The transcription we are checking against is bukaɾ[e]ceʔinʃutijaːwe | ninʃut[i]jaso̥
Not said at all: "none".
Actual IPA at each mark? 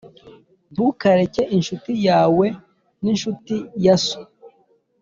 e, i

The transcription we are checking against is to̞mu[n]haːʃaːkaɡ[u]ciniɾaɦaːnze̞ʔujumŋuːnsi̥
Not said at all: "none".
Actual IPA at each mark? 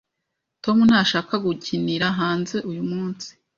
n, u

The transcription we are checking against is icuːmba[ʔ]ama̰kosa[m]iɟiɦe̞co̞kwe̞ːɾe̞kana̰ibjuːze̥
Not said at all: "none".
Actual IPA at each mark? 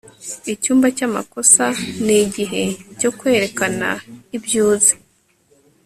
c, n

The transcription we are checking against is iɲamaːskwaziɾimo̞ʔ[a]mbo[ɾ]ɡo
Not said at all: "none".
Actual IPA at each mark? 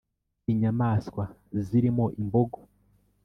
i, none

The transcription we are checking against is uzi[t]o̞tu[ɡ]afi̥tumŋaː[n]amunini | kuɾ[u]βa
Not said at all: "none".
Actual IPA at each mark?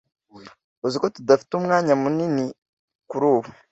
k, d, ɲ, uː

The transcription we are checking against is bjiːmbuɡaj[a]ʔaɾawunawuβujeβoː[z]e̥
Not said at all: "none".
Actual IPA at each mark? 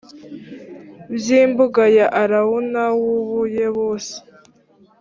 a, s

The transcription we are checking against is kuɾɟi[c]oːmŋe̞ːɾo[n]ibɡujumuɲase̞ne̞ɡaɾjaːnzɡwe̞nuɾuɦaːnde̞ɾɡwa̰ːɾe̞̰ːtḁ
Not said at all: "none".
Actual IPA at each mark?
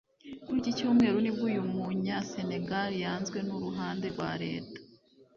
c, n

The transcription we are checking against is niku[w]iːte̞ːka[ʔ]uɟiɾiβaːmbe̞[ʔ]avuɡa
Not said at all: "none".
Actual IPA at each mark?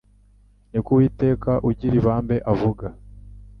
w, ʔ, ʔ

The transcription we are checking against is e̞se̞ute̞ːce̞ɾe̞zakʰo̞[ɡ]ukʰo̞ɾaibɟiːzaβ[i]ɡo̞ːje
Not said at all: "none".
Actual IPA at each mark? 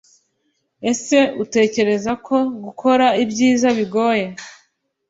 ɡ, i

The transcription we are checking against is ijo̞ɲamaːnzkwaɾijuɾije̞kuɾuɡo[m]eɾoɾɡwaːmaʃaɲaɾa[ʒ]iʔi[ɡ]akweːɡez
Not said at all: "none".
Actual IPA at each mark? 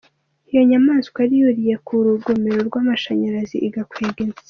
m, z, ɡ

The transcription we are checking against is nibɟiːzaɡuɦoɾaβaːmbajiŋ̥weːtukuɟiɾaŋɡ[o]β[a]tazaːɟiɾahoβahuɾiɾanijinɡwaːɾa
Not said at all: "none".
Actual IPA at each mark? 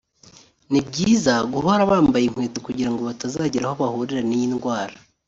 o, a

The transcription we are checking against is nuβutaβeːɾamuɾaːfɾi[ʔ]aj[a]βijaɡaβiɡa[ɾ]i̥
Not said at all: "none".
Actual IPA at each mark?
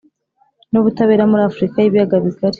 k, i, ɾ

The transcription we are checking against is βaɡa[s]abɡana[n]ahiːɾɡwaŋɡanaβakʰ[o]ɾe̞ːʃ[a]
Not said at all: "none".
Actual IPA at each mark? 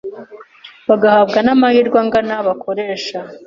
h, m, o, a

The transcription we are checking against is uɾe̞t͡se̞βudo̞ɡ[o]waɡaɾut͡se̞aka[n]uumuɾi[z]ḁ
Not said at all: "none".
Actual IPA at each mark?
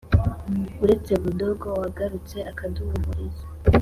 o, d, z

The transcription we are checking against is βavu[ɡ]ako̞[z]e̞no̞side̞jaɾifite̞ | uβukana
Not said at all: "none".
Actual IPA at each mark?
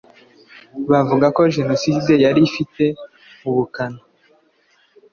ɡ, ʒ

